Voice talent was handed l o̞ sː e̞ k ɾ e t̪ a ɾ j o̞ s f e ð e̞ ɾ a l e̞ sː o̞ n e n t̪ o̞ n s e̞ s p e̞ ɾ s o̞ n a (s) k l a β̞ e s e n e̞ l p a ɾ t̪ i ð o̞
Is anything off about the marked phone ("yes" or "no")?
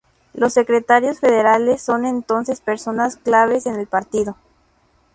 no